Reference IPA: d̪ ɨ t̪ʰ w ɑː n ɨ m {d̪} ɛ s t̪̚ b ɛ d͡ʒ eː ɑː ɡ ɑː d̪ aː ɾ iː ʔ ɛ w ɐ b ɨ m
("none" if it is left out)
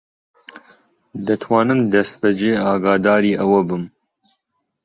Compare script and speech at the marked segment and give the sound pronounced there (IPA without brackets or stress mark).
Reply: d̪